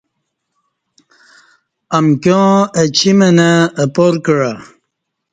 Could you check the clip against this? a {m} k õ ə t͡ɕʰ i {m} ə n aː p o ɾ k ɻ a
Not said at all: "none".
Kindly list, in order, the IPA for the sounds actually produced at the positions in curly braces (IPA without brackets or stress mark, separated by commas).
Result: m, m